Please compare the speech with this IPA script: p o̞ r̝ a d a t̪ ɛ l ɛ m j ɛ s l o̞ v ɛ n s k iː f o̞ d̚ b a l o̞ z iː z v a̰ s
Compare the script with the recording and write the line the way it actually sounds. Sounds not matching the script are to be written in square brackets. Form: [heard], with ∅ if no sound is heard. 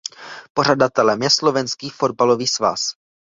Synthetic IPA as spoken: p o̞ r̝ a d a t̪ ɛ l ɛ m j ɛ s l o̞ v ɛ n s k iː f o̞ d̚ b a l o̞ [v] iː [s] v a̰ s

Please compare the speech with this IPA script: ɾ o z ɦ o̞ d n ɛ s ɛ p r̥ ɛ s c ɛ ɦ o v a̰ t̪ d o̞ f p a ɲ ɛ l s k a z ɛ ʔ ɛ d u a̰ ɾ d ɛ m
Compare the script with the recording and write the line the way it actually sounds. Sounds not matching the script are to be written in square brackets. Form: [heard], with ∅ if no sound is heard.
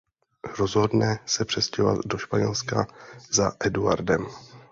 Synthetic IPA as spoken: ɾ o z ɦ o̞ d n ɛ s ɛ p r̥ ɛ s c ɛ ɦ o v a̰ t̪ d o̞ [ʃ] p a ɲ ɛ l s k a z [a] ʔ ɛ d u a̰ ɾ d ɛ m

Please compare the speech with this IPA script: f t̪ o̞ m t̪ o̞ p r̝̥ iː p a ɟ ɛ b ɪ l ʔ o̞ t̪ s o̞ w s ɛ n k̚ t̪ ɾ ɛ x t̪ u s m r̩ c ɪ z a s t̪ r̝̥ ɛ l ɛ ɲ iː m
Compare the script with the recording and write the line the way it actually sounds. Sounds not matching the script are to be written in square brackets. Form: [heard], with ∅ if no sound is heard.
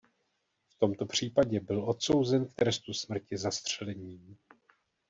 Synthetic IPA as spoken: f t̪ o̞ m t̪ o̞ p r̝̥ iː p a ɟ ɛ b ɪ l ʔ o̞ t̪ s o̞ w [z] ɛ n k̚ t̪ ɾ ɛ [s] t̪ u s m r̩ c ɪ z a s t̪ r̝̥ ɛ l ɛ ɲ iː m

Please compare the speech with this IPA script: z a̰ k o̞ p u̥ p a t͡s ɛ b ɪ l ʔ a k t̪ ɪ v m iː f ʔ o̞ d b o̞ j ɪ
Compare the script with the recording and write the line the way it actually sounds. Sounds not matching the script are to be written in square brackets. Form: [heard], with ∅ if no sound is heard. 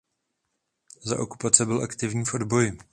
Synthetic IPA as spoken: z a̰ [ʔ] o̞ [k] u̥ p a t͡s ɛ b ɪ l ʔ a k t̪ ɪ v [ɲ] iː f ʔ o̞ d b o̞ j ɪ

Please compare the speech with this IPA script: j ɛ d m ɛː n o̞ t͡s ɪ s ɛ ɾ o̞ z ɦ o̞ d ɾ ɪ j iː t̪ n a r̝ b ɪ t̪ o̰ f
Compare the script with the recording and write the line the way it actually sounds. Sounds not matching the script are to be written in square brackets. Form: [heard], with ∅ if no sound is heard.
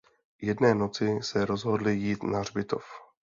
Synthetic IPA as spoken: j ɛ d [n] ɛː n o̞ t͡s ɪ s ɛ ɾ o̞ z ɦ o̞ d [l] ɪ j iː t̪ n a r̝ b ɪ t̪ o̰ f

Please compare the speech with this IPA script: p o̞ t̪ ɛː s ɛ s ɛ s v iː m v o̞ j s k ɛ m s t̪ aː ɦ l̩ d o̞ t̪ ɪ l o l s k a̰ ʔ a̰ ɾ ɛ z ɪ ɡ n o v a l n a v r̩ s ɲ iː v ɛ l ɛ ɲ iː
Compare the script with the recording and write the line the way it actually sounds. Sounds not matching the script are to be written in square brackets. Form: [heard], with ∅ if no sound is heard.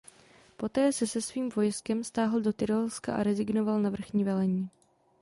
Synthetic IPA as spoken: p o̞ t̪ ɛː s ɛ s ɛ s v iː m v o̞ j s k ɛ m s t̪ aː ɦ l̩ d o̞ t̪ ɪ [ɾ] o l s k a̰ ʔ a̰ ɾ ɛ z ɪ ɡ n o v a l n a v r̩ [x] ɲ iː v ɛ l ɛ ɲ iː

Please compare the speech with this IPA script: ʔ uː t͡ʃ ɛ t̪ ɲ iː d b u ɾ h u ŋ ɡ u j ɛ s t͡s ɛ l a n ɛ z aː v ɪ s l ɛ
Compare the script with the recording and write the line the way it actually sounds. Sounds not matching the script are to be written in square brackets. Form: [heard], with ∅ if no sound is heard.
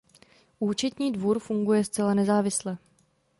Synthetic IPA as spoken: ʔ uː t͡ʃ ɛ t̪ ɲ iː d [v] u ɾ [f] u ŋ ɡ u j ɛ s t͡s ɛ l a n ɛ z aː v ɪ s l ɛ

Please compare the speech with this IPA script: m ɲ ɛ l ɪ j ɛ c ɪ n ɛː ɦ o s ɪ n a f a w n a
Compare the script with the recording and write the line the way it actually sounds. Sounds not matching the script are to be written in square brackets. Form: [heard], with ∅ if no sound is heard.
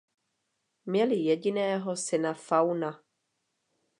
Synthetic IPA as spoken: m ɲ ɛ l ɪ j ɛ [ɟ] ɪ n ɛː ɦ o s ɪ n a f a w n a

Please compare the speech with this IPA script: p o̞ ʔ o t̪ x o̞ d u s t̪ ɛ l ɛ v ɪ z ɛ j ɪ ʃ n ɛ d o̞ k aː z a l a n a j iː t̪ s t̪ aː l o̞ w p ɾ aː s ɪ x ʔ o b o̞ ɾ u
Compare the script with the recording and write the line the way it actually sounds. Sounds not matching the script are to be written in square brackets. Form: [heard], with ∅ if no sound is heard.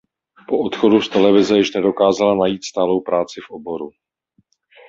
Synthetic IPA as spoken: p o̞ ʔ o t̪ x o̞ d u s t̪ ɛ l ɛ v ɪ z ɛ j ɪ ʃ n ɛ d o̞ k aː z a l a n a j iː t̪ s t̪ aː l o̞ w p ɾ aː [t͡s] ɪ [f] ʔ o b o̞ ɾ u

